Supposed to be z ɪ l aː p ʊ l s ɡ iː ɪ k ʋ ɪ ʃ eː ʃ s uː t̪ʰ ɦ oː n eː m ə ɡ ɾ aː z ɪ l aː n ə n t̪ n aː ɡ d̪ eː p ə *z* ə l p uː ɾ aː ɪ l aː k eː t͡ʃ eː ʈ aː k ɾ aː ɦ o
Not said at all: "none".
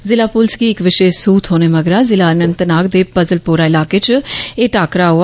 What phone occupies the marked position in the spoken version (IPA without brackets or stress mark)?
z